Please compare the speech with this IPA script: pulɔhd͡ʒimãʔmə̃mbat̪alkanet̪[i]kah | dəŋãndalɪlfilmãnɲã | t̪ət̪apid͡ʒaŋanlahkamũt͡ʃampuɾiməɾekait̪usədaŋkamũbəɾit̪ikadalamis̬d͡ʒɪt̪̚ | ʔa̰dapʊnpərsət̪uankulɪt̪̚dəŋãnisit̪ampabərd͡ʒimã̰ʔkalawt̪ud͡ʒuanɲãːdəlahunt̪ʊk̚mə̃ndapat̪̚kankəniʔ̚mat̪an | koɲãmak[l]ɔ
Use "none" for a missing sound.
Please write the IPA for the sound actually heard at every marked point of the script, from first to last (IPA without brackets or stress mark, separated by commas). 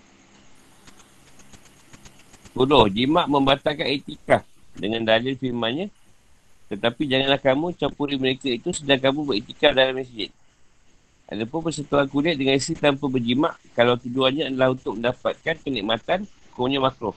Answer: i, ɾ